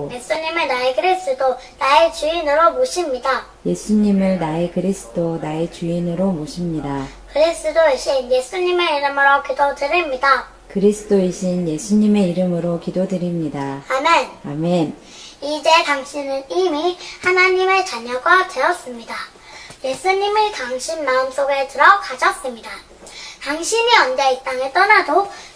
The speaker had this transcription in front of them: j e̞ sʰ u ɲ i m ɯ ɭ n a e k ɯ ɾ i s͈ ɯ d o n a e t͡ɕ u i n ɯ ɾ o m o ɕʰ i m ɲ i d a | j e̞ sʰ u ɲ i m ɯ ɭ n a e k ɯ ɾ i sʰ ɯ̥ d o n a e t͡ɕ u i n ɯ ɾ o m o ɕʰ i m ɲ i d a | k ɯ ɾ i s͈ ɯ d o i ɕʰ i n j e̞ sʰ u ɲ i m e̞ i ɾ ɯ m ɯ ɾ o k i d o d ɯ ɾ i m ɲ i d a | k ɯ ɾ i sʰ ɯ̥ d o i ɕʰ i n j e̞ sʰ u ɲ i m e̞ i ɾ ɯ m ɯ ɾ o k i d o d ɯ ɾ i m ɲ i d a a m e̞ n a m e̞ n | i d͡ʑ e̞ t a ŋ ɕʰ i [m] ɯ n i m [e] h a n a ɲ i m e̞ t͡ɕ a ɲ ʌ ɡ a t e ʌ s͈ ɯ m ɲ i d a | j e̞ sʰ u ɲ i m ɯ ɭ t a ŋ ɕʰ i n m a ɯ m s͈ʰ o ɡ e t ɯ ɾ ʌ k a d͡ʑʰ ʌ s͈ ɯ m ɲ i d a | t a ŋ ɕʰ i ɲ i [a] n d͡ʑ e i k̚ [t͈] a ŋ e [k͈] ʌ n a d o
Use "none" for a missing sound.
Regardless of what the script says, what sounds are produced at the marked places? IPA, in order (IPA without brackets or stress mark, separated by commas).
n, i, ʌ, t͈, t͈